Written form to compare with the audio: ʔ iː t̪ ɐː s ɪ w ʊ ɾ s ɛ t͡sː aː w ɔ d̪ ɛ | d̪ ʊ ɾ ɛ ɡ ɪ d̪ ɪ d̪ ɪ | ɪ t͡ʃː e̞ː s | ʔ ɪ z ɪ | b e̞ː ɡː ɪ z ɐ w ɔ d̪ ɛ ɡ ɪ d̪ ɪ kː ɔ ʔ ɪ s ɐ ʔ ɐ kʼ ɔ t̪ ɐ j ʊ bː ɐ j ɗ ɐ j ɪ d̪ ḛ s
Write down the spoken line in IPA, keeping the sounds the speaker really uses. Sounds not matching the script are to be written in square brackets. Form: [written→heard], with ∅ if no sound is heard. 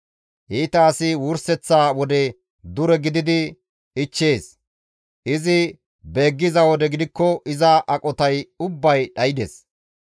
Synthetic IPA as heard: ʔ iː t̪ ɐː s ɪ w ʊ ɾ s ɛ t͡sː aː w ɔ d̪ ɛ | d̪ ʊ ɾ ɛ ɡ ɪ d̪ ɪ d̪ ɪ | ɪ t͡ʃː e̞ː s | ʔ ɪ z ɪ | b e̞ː ɡː ɪ z ɐ w ɔ d̪ ɛ ɡ ɪ d̪ ɪ kː ɔ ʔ ɪ [s→z] ɐ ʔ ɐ kʼ ɔ t̪ ɐ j ʊ bː ɐ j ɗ ɐ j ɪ d̪ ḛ s